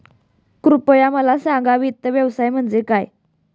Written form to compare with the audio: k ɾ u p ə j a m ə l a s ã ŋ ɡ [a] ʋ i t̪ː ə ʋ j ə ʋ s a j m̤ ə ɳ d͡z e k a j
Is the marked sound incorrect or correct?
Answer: correct